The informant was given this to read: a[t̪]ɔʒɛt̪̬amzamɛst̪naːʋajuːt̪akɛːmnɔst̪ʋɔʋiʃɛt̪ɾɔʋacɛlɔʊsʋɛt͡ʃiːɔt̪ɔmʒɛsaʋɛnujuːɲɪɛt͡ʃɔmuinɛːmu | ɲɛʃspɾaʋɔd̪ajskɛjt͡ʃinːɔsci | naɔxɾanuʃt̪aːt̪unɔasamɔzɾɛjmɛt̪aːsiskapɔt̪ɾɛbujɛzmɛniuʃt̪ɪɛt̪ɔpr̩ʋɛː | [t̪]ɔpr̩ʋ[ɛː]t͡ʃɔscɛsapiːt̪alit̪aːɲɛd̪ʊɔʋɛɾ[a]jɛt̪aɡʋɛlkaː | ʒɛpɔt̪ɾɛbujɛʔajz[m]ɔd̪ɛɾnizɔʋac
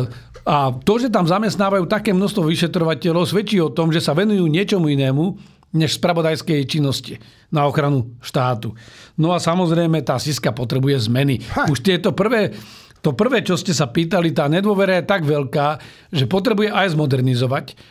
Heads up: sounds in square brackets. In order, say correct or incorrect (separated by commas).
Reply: correct, correct, correct, correct, correct